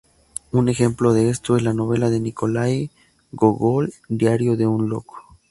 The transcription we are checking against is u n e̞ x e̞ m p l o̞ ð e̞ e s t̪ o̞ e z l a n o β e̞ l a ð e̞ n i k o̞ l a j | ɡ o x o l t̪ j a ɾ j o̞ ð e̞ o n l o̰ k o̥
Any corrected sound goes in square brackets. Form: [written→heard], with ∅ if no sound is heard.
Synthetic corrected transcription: u n e̞ x e̞ m p l o̞ ð e̞ e s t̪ o̞ e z l a n o β e̞ l a ð e̞ n i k o̞ l a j | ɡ o [x→ɣ] o l [t̪→d̪] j a ɾ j o̞ ð e̞ [o→u] n l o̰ k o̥